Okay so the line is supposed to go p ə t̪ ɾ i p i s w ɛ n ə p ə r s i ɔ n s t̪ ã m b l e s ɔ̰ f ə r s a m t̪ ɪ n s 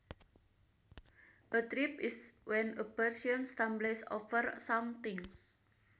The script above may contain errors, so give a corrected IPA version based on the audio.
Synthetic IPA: ʔ ə t̪ ɾ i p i s w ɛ n ə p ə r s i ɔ n s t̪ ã m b l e s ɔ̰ f ə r s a m t̪ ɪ ŋ s